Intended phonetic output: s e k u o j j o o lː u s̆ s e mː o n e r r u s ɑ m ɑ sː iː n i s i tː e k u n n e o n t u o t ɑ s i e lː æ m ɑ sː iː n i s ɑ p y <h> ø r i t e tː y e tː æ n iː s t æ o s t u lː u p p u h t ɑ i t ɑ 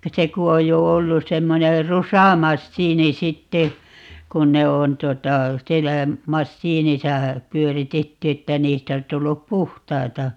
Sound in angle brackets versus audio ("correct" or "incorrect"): incorrect